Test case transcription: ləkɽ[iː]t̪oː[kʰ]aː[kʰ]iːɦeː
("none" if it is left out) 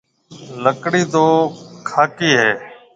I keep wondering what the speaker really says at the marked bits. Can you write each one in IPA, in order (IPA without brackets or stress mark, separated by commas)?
iː, kʰ, k